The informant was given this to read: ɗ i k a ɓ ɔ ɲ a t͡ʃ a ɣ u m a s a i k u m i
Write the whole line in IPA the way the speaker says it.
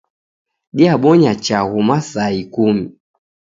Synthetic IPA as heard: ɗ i a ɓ ɔ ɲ a t͡ʃ a ɣ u m a s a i k u m i

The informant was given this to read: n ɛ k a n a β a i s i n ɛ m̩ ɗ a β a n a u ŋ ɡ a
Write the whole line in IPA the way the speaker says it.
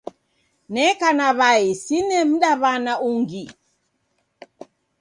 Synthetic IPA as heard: n ɛ k a n a β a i s i n ɛ m̩ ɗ a β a n a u ŋ ɡ i

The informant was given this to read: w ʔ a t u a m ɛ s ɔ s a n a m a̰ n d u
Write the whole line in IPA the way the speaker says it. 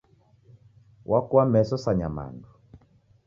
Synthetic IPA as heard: w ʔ a k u a m ɛ s ɔ s a ɲ a m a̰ n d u

